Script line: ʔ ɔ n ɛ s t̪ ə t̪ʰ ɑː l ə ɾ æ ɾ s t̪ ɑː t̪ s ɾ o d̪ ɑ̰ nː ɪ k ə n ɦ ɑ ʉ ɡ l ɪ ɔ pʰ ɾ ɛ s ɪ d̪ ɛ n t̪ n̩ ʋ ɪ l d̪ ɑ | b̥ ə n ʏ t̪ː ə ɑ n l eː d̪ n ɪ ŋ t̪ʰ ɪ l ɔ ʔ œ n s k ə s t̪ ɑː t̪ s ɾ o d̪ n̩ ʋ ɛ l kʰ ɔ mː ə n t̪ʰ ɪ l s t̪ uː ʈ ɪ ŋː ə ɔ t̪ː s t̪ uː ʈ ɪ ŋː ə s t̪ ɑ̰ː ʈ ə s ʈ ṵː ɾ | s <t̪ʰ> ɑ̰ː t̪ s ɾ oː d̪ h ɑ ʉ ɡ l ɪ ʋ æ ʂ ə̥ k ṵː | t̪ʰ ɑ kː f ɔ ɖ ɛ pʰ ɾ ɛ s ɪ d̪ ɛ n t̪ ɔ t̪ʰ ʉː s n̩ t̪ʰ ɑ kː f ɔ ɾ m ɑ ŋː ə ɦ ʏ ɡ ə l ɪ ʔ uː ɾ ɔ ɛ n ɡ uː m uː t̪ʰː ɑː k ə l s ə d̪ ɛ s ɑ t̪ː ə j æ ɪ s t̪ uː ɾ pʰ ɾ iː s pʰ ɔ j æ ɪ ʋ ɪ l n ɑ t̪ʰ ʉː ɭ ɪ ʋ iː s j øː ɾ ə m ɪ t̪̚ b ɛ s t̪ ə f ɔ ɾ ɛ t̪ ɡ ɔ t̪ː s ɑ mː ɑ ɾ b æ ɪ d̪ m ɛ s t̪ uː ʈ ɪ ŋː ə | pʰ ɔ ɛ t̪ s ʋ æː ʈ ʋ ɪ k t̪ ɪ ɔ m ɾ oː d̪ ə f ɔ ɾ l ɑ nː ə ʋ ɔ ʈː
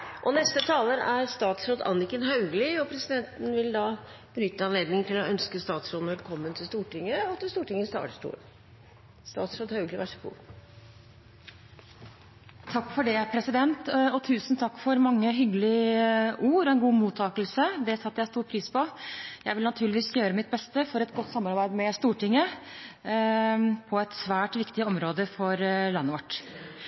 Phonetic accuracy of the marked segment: incorrect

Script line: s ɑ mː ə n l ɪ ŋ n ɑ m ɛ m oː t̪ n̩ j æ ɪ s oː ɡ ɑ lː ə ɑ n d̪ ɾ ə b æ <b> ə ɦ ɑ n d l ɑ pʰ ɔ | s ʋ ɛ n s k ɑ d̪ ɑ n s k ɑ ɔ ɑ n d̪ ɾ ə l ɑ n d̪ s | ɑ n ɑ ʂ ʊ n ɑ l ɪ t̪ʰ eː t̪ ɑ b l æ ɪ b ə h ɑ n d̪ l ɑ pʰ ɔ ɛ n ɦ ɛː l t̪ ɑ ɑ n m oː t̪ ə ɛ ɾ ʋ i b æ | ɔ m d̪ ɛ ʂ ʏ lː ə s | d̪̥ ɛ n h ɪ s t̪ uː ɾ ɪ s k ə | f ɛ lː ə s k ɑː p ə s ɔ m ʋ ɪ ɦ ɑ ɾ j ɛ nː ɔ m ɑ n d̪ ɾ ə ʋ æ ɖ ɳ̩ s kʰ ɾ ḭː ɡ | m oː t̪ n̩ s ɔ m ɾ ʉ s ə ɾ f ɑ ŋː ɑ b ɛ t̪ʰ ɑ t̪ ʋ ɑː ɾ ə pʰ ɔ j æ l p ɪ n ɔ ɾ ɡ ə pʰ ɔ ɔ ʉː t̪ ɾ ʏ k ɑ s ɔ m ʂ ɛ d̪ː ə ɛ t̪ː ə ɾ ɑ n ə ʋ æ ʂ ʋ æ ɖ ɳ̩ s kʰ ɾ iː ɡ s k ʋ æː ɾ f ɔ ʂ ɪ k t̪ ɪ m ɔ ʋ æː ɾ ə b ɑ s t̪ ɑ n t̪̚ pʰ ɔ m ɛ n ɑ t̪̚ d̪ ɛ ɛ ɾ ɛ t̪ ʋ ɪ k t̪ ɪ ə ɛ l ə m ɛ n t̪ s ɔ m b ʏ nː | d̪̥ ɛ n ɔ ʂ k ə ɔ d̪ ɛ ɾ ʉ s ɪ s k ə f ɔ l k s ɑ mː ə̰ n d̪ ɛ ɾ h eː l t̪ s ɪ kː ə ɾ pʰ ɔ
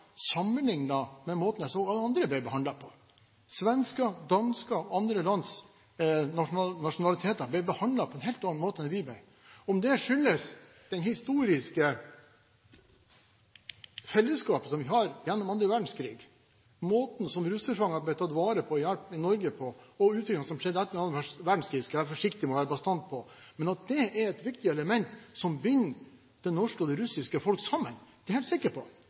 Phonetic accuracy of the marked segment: correct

